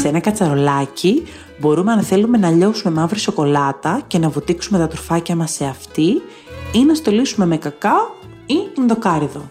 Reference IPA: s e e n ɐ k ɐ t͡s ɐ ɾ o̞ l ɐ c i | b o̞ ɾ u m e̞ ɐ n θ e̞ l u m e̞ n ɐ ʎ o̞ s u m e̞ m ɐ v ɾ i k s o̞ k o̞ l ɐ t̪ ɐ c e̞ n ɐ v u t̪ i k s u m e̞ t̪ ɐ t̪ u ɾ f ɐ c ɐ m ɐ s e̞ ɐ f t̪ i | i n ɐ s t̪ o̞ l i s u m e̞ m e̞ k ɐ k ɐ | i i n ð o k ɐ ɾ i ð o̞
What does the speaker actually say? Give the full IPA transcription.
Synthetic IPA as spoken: s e e n ɐ k ɐ t͡s ɐ ɾ o̞ l ɐ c i | b o̞ ɾ u m e̞ ɐ n θ e̞ l u m e̞ n ɐ ʎ o̞ s u m e̞ m ɐ v ɾ i s o̞ k o̞ l ɐ t̪ ɐ c e̞ n ɐ v u t̪ i k s u m e̞ t̪ ɐ t̪ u ɾ f ɐ c ɐ m ɐ s e̞ ɐ f t̪ i | i n ɐ s t̪ o̞ l i s u m e̞ m e̞ k ɐ k ɐ | i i n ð o k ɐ ɾ i ð o̞